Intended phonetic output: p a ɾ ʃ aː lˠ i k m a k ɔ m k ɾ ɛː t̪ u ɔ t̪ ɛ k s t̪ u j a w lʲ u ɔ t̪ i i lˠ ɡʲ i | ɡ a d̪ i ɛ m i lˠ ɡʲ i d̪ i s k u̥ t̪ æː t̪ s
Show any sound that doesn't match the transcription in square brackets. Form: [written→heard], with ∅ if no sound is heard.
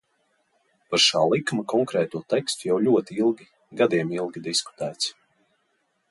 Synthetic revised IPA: p a ɾ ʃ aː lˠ i k m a k ɔ [m→ŋ] k ɾ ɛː t̪ u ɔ t̪ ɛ k s t̪ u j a w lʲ u ɔ t̪ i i lˠ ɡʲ i | ɡ a d̪ i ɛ m i lˠ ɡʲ i d̪ i s k u̥ t̪ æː t̪ s